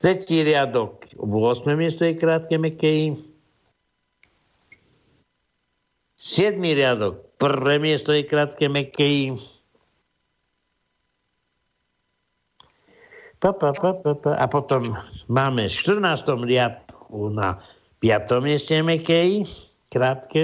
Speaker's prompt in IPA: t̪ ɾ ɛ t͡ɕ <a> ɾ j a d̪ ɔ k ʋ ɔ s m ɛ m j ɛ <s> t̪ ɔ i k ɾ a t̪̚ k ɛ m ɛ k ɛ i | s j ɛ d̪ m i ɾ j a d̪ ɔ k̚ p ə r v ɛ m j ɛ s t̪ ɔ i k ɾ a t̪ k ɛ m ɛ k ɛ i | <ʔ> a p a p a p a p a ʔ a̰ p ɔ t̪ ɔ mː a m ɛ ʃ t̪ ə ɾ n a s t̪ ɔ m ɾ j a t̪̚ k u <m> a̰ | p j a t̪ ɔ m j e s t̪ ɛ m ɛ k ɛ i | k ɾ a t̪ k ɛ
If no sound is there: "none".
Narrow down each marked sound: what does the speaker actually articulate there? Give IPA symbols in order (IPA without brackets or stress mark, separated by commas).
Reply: i, s, p, n